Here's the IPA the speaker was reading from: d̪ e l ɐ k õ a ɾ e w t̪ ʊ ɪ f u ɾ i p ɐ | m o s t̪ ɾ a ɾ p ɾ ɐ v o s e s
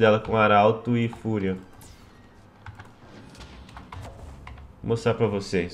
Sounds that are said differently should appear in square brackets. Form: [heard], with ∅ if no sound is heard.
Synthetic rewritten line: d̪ [ɛ] l ɐ k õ a ɾ [a] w t̪ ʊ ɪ f u ɾ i [∅] ɐ | m o s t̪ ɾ a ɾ p ɾ ɐ v o s e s

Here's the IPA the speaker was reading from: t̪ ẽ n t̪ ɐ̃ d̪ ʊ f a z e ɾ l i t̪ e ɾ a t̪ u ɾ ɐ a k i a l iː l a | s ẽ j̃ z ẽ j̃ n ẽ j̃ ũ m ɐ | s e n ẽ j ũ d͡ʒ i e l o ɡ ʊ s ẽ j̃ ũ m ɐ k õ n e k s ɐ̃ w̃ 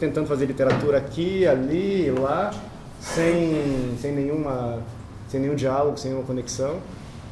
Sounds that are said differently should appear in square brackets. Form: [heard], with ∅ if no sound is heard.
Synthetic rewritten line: t̪ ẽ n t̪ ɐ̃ d̪ ʊ f a z e ɾ l i t̪ e ɾ a t̪ u ɾ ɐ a k i a l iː l a | s ẽ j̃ [s] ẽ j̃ n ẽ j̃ ũ m ɐ | s [ẽ] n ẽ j ũ d͡ʒ i [a] l o ɡ ʊ s ẽ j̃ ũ m ɐ k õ n e k s ɐ̃ w̃

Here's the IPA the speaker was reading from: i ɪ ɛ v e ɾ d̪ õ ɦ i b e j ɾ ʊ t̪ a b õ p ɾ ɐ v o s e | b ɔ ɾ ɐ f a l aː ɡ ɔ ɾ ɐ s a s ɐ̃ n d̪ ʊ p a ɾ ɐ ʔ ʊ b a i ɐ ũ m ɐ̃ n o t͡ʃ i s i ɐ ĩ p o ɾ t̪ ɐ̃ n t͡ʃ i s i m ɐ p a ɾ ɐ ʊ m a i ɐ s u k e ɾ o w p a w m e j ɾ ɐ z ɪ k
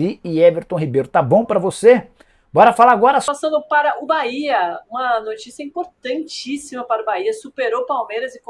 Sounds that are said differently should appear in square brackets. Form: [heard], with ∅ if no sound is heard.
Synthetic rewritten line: i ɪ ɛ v e ɾ [t̪] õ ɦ i b e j ɾ ʊ t̪ a b õ p ɾ ɐ v o s e | b ɔ ɾ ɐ f a l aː ɡ ɔ ɾ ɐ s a s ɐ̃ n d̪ ʊ p a ɾ ɐ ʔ ʊ b a i ɐ ũ m [ɐ] n o t͡ʃ i s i ɐ ĩ p o ɾ t̪ ɐ̃ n t͡ʃ i s i m ɐ p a ɾ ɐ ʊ [b] a i ɐ s u [p] e ɾ o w p a w m e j ɾ ɐ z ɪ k

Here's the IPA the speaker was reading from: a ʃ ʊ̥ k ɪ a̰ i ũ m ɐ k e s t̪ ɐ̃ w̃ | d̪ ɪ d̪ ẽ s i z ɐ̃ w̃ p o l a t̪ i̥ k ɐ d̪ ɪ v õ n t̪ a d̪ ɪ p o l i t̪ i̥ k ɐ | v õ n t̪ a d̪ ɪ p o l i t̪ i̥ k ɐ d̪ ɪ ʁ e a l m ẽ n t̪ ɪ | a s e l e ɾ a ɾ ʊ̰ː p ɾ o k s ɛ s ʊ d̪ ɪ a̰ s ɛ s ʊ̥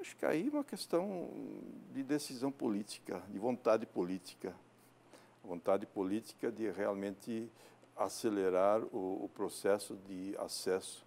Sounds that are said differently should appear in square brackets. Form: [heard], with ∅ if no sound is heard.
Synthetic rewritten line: a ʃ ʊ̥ k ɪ a̰ i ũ m ɐ k e s t̪ ɐ̃ w̃ | d̪ ɪ d̪ [e] s i z ɐ̃ w̃ p o l [i] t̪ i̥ k ɐ d̪ ɪ v õ n t̪ a d̪ ɪ p o l i t̪ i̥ k ɐ | v õ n t̪ a d̪ ɪ p o l i t̪ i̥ k ɐ d̪ ɪ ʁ e a l m ẽ n t̪ ɪ | a s e l e ɾ a ɾ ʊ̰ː p ɾ o [∅] s ɛ s ʊ d̪ ɪ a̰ s ɛ s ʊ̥

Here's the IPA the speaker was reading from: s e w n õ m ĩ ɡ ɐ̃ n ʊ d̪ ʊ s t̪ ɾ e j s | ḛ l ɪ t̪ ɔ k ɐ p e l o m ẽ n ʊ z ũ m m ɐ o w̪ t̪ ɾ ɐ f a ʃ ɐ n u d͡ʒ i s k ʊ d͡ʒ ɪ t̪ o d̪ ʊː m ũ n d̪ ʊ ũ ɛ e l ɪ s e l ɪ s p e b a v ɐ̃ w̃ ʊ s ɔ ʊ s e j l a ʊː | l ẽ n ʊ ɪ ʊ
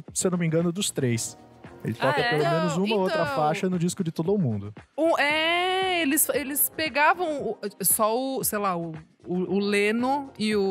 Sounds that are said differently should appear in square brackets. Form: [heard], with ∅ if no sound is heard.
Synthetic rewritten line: s e w n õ m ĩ ɡ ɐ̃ n ʊ d̪ ʊ s t̪ ɾ e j s | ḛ l ɪ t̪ ɔ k ɐ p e l o m ẽ n ʊ z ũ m m ɐ o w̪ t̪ ɾ ɐ f a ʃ ɐ n [ʊ] d͡ʒ i s k ʊ d͡ʒ ɪ t̪ o d̪ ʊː m ũ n d̪ ʊ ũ ɛ e l ɪ s e l ɪ s p e [ɡ] a v ɐ̃ w̃ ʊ s ɔ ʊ s e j l a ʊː | l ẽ n ʊ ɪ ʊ

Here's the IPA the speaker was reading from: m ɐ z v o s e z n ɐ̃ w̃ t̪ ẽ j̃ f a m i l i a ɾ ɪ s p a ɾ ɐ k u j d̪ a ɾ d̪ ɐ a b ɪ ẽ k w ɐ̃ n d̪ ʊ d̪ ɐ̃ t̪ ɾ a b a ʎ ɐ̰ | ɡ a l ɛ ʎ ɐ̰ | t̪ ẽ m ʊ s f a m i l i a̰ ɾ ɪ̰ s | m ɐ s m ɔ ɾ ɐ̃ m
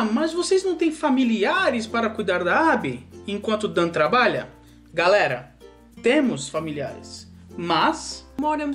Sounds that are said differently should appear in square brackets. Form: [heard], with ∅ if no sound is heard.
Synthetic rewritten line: m ɐ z v o s e z n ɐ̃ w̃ t̪ ẽ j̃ f a m i l i a ɾ ɪ s p a ɾ ɐ k u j d̪ a ɾ d̪ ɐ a b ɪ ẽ k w ɐ̃ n [t̪] ʊ d̪ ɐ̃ t̪ ɾ a b a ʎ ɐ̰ | ɡ a l ɛ [ɾ] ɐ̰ | t̪ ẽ m ʊ s f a m i l i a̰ ɾ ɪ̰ s | m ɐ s m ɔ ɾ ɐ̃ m

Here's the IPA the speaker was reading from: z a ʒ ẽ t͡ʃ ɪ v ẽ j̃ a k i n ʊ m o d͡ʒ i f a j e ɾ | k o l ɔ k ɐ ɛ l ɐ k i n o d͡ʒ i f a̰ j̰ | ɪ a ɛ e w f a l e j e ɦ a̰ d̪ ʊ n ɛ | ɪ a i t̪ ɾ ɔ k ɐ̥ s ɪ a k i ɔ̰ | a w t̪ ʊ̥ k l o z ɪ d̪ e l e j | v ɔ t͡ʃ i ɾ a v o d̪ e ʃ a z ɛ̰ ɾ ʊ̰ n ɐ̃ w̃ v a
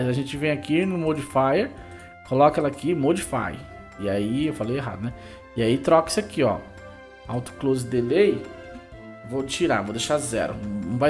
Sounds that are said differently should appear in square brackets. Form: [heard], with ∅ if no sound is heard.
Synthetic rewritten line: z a ʒ ẽ t͡ʃ ɪ v ẽ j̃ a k i n ʊ m o d͡ʒ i f a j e ɾ | k o l ɔ k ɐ ɛ l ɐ k i [m] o d͡ʒ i f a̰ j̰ | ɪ a [i] e w f a l e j e ɦ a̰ d̪ ʊ n ɛ | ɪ a i t̪ ɾ ɔ k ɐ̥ s ɪ a k i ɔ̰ | a w t̪ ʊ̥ k l o z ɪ d̪ e l e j | v [o] t͡ʃ i ɾ a v o d̪ e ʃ a z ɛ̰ ɾ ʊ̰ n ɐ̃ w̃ v a

